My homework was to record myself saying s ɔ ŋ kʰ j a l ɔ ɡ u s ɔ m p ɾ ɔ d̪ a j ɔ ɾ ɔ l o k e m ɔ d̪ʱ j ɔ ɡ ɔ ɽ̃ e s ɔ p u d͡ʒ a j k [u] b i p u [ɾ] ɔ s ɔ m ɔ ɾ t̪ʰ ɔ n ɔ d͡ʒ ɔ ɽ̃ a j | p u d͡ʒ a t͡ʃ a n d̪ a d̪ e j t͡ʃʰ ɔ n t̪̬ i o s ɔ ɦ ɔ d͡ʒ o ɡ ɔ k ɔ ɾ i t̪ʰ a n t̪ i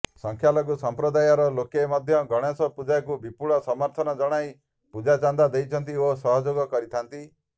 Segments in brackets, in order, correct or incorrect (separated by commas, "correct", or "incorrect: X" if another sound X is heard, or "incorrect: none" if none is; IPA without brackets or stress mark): correct, incorrect: ɭ